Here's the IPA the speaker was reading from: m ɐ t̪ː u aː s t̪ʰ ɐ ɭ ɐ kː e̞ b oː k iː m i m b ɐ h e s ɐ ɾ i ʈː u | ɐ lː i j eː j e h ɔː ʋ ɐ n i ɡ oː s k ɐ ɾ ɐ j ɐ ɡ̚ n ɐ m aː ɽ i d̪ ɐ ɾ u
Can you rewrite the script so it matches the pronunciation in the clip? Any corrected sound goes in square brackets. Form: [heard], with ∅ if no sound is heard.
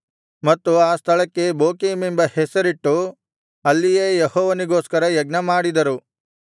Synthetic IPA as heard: m ɐ t̪ː u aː s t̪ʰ ɐ ɭ ɐ kː e̞ b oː k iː m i m b ɐ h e s ɐ ɾ i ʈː u | ɐ lː i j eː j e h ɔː ʋ ɐ n i ɡ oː s k ɐ ɾ ɐ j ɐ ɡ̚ n ɐ m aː ɽ i d̪ ɐ ɾ u